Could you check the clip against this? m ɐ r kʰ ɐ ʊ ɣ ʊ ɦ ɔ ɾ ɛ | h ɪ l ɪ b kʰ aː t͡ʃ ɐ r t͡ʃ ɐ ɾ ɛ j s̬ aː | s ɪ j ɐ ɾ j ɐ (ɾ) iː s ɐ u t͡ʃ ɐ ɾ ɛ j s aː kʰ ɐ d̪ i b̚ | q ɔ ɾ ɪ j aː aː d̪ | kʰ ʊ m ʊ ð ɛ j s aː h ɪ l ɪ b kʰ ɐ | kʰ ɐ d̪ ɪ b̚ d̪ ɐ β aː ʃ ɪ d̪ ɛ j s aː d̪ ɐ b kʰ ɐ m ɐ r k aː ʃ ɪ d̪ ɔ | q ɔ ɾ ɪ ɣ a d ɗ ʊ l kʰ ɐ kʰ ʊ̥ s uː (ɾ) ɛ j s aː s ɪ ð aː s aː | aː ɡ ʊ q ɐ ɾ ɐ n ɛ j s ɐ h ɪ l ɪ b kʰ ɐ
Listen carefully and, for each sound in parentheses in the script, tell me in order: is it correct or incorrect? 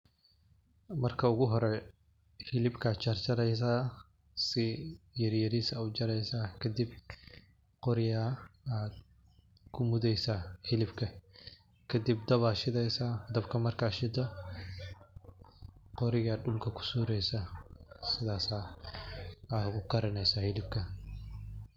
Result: correct, correct

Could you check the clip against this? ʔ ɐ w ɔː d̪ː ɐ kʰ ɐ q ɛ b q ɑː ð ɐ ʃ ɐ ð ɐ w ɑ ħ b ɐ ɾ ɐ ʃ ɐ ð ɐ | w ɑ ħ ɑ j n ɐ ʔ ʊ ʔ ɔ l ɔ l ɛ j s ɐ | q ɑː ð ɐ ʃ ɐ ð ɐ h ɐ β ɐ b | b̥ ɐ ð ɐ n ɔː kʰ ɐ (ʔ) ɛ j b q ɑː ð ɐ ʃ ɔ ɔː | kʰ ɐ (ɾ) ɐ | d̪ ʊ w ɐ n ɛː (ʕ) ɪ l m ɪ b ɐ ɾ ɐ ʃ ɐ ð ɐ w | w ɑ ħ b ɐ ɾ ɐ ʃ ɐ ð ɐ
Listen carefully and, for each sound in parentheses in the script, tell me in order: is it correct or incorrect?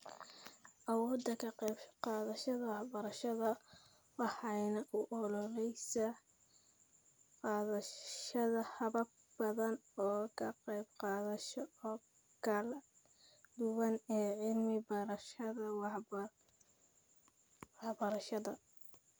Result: incorrect, incorrect, correct

